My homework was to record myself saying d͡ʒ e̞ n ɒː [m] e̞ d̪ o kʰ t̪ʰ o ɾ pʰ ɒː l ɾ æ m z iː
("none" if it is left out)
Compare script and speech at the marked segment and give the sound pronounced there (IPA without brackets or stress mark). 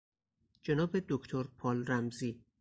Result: b